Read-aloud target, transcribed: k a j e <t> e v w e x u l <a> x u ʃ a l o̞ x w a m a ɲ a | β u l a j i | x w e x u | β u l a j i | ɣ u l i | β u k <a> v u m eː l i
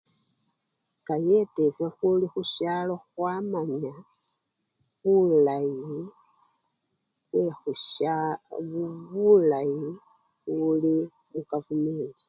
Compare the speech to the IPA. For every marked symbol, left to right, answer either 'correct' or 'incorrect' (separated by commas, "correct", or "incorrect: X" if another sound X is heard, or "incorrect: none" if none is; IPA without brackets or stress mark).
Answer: correct, incorrect: i, correct